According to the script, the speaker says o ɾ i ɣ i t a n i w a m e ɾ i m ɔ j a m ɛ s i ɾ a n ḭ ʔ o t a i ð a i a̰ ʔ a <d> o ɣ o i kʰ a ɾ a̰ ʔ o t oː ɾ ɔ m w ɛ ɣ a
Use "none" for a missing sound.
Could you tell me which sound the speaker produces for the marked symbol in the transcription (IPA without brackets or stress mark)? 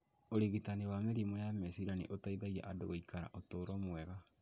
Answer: d